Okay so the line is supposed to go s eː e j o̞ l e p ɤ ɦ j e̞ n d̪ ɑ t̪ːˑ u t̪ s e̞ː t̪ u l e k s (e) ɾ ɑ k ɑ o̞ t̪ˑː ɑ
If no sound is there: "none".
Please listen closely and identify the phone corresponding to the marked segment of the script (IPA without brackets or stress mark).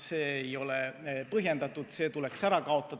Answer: æ